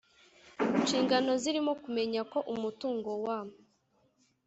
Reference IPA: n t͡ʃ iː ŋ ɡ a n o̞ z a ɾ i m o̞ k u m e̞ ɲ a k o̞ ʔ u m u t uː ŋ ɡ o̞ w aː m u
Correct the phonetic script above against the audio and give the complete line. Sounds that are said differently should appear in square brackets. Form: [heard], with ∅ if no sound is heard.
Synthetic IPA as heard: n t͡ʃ iː ŋ ɡ a n o̞ z [i] ɾ i m o̞ k u m e̞ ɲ a k o̞ ʔ u m u t uː ŋ ɡ o̞ w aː m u